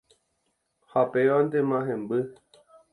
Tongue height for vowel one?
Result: low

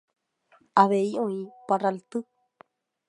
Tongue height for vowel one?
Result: low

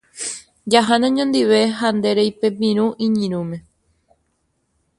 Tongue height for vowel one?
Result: low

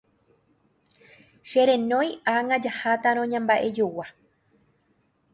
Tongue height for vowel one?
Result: mid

